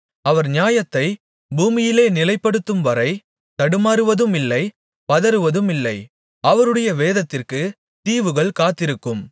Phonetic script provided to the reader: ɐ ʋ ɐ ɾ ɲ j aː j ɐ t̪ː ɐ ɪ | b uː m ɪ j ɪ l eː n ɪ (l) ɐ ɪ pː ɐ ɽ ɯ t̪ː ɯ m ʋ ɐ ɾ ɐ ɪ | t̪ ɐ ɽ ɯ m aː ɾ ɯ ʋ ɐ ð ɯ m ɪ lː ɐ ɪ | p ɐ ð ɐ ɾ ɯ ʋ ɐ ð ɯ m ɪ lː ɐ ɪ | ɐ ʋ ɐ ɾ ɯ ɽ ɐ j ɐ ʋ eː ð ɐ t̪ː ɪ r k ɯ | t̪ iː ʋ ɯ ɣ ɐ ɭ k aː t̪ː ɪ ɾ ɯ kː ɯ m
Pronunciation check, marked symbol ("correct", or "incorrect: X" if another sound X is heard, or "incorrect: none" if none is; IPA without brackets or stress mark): correct